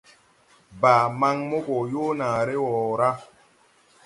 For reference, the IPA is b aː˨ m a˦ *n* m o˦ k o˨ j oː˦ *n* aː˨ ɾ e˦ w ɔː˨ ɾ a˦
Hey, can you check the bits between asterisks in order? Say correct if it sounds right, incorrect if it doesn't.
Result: incorrect: ŋ, correct

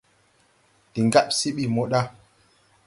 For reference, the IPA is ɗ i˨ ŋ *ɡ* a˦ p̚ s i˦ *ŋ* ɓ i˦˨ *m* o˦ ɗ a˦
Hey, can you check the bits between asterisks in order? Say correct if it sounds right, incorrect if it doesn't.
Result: correct, incorrect: none, correct

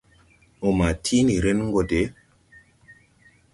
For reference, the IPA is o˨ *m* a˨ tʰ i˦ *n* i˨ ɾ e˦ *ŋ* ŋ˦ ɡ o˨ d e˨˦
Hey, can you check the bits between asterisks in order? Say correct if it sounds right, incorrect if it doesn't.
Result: correct, correct, incorrect: n

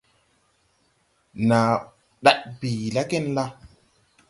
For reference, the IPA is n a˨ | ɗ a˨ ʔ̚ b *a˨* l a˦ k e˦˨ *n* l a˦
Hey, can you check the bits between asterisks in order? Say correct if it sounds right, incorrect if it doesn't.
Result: incorrect: i˨, correct

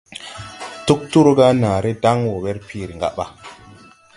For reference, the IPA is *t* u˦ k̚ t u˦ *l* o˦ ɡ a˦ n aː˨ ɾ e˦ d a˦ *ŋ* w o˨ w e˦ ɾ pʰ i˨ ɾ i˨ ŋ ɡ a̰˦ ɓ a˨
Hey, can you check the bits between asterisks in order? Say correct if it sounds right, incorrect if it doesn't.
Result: correct, incorrect: ɾ, correct

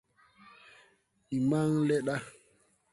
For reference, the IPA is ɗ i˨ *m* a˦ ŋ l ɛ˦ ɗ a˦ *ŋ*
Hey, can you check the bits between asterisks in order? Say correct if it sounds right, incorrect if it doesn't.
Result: correct, incorrect: none

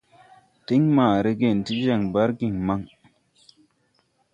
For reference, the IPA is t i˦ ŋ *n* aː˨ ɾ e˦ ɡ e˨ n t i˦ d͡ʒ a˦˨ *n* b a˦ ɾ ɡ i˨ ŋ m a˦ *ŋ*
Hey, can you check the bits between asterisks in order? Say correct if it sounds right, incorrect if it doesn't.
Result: incorrect: m, incorrect: ŋ, correct

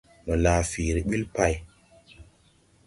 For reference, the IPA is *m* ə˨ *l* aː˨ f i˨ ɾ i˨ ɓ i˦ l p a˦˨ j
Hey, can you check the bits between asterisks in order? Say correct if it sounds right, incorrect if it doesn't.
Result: correct, correct

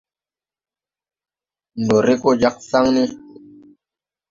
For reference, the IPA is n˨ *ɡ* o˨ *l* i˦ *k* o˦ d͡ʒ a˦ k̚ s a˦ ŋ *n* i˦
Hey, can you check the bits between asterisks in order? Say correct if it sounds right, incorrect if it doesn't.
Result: incorrect: d, incorrect: ɾ, correct, correct

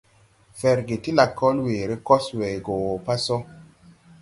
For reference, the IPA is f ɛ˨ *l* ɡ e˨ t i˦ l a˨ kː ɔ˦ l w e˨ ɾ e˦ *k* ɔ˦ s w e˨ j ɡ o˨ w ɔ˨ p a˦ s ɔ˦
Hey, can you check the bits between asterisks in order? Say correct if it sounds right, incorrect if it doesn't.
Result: incorrect: ɾ, correct

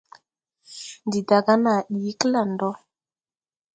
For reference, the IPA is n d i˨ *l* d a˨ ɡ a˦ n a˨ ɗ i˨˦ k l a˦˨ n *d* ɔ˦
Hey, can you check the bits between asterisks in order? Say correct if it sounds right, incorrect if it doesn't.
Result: incorrect: none, correct

